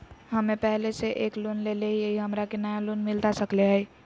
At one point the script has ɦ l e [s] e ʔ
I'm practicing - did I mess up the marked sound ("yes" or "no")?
no